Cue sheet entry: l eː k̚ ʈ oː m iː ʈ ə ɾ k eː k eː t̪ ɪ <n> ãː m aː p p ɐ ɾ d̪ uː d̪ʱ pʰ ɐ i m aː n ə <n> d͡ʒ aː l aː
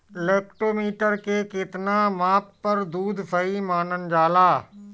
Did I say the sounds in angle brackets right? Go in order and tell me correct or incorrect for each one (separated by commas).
correct, correct